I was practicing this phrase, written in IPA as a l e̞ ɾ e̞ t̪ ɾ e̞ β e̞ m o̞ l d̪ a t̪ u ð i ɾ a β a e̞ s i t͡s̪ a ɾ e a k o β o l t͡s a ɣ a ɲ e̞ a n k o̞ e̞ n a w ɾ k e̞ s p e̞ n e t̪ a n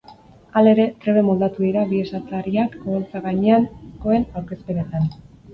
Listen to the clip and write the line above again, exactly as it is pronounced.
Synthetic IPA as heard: a l e̞ ɾ e̞ t̪ ɾ e̞ β e̞ m o̞ l d̪ a t̪ u ð i ɾ a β i e̞ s a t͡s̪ a ɾ i a k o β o l t͡s a ɣ a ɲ e̞ a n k o̞ e̞ n a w ɾ k e̞ s p e̞ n e t̪ a n